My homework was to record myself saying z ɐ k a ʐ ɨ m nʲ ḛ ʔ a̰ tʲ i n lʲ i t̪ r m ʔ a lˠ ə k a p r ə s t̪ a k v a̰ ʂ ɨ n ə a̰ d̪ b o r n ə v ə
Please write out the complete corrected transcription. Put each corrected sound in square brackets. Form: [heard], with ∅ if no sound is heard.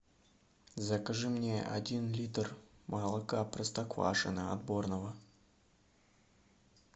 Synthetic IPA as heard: z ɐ k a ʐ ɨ m nʲ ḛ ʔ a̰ [dʲ] i n lʲ i t̪ r m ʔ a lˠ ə k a p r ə s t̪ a k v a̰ ʂ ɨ n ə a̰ d̪ b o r n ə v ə

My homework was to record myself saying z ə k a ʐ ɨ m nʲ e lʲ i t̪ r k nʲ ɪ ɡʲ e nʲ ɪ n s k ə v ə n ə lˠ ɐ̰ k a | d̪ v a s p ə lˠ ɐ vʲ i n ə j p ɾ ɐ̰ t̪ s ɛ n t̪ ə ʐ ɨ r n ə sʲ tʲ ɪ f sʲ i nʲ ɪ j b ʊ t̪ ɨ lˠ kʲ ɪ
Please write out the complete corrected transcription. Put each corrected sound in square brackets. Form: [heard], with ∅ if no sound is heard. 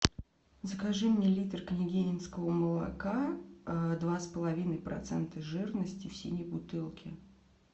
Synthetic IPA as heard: z ə k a ʐ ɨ m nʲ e lʲ i t̪ r k nʲ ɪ ɡʲ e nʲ ɪ n s k ə v ə [m] ə lˠ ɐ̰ k a | d̪ v a s p ə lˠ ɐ vʲ i n ə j p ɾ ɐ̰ t̪ s ɛ n t̪ ə ʐ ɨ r n ə sʲ tʲ ɪ f sʲ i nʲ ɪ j b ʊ t̪ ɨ lˠ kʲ ɪ

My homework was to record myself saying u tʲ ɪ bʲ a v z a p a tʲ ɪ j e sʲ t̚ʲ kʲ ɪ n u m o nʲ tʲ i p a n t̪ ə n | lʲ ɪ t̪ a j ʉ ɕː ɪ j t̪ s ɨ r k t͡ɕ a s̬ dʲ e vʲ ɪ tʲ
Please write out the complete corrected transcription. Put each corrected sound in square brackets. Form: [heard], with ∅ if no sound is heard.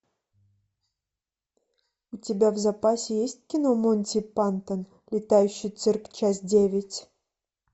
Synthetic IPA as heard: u tʲ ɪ bʲ a v z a p a [sʲ] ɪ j e sʲ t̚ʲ kʲ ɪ n [o] m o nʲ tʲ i p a n t̪ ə n | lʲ ɪ t̪ a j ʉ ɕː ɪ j t̪ s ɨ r k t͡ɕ a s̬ dʲ e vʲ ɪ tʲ

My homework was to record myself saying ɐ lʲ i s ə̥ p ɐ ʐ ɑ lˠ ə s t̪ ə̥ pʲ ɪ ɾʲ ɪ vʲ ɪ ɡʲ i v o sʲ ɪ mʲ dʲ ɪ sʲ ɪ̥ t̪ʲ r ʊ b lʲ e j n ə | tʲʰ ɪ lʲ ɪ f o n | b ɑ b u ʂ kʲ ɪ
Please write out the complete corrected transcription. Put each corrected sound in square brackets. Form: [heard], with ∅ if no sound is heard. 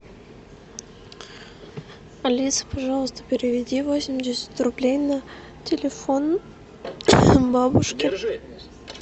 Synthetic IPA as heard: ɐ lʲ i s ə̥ p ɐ ʐ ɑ lˠ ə s t̪ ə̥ pʲ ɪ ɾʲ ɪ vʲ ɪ [dʲ] i v o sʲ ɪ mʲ dʲ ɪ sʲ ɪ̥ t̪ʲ r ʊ b lʲ e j n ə | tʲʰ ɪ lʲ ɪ f o n | b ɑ b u ʂ kʲ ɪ

